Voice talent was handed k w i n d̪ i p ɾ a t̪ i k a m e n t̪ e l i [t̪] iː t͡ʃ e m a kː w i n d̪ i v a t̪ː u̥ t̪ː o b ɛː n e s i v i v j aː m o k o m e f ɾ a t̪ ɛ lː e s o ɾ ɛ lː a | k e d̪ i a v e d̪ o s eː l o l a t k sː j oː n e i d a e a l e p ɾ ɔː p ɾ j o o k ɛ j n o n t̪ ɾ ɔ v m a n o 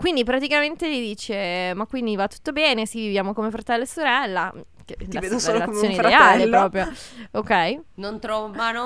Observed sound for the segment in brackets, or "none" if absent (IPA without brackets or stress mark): d̪